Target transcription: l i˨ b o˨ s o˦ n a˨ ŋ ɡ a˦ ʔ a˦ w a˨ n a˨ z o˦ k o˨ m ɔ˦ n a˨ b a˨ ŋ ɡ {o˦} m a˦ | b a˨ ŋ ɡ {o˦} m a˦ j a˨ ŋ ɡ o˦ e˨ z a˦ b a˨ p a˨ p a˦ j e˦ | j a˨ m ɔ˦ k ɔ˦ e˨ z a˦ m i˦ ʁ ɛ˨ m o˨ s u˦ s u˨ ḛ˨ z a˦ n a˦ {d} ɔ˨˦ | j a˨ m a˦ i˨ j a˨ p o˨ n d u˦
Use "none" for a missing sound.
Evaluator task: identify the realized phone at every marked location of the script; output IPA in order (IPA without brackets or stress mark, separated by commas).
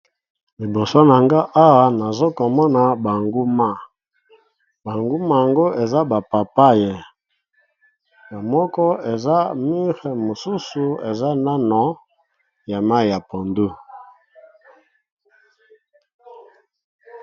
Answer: u˦, u˦, n